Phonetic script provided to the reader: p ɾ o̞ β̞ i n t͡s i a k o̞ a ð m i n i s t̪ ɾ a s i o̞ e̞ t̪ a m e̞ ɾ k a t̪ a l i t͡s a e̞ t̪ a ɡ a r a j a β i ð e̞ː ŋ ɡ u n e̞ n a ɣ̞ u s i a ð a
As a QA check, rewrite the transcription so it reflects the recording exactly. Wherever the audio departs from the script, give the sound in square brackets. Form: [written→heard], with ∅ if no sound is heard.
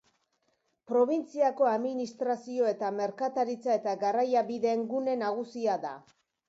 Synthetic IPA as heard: p ɾ o̞ β̞ i n t͡s i a k o̞ a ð m i n i s t̪ ɾ a s i o̞ e̞ t̪ a m e̞ ɾ k a t̪ a [l→ɾ] i t͡s a e̞ t̪ a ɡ a r a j a β i ð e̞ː ŋ ɡ u n e̞ n a ɣ̞ u s i a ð a